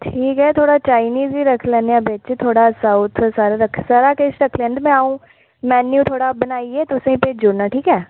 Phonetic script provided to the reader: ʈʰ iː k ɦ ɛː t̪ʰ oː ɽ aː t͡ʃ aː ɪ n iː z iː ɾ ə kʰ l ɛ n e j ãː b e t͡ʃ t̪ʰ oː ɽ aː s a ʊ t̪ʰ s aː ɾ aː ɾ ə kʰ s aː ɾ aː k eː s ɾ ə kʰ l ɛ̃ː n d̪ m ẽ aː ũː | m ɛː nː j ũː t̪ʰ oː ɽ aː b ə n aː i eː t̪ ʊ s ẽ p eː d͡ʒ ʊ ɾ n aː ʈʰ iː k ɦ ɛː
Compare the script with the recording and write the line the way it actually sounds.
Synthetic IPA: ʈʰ iː k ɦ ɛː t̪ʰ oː ɽ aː t͡ʃ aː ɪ n iː z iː ɾ ə kʰ l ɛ n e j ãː b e t͡ʃ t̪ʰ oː ɽ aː s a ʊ t̪ʰ s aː ɾ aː ɾ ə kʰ s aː ɾ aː k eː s ɾ ə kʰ l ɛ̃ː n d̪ m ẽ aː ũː | m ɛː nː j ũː t̪ʰ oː ɽ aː b ə n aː i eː t̪ ʊ s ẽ p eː d͡ʒ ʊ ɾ n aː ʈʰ iː k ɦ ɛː